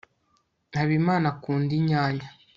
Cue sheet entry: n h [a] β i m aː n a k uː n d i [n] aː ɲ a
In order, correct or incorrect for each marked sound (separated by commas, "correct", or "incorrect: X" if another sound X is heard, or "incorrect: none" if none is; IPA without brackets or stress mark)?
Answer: correct, incorrect: ɲ